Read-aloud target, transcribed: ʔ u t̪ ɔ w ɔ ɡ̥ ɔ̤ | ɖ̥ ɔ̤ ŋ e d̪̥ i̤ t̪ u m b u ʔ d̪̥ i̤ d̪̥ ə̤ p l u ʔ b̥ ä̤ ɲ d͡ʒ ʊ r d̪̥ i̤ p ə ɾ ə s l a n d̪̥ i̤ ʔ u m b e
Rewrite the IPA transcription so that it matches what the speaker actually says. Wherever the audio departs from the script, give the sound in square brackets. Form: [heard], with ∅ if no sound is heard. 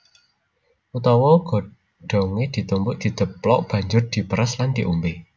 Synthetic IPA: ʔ u t̪ ɔ w ɔ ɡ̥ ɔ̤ | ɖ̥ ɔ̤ ŋ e d̪̥ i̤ t̪ u m b [ʊ] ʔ d̪̥ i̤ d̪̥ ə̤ p l [ɔ] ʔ b̥ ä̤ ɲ d͡ʒ ʊ r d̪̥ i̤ p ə ɾ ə s l a n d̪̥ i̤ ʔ u m b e